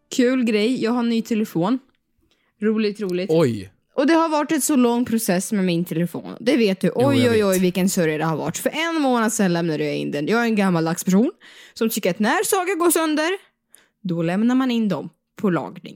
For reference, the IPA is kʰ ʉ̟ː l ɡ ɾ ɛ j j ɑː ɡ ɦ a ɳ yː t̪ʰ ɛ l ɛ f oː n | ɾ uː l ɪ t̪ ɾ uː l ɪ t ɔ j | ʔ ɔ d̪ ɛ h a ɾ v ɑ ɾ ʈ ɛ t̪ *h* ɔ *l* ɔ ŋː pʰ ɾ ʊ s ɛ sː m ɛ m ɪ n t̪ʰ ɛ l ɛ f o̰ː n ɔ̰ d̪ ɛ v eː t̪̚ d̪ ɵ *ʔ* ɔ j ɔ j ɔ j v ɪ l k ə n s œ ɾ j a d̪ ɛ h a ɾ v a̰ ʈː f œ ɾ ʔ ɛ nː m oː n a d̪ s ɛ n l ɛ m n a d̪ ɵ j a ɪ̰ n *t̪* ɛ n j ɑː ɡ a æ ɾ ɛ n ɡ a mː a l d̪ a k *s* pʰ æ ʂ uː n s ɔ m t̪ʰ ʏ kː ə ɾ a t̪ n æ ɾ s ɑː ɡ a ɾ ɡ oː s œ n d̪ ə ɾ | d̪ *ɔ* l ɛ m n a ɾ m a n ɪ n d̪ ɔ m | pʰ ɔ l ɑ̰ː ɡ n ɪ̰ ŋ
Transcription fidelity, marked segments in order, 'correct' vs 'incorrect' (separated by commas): incorrect, correct, correct, incorrect, correct, correct